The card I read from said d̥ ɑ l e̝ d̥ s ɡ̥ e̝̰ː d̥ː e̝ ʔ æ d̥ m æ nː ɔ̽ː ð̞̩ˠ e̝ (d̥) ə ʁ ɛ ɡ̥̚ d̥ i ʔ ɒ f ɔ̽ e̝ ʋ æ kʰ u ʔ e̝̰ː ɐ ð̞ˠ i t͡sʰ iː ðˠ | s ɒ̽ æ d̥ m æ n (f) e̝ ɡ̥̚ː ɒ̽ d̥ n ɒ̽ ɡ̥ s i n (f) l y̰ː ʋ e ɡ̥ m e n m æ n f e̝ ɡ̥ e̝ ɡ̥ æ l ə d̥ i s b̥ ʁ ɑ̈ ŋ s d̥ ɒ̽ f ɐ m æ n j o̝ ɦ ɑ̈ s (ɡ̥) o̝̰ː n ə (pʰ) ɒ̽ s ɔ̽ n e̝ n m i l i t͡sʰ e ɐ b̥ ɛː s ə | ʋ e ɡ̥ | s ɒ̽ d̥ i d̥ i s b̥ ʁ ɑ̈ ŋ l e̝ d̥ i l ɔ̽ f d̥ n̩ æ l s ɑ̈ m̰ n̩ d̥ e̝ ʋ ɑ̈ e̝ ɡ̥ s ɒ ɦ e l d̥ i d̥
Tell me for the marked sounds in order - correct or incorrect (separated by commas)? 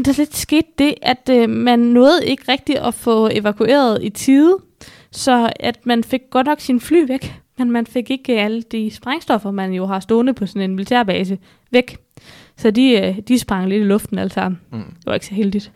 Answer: incorrect, correct, correct, incorrect, correct